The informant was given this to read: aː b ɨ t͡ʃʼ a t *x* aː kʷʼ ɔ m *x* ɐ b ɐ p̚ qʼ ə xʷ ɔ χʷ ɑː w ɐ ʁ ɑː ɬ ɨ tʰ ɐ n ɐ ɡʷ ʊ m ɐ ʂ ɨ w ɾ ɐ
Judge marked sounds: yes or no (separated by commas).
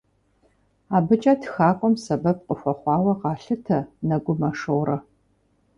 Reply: yes, no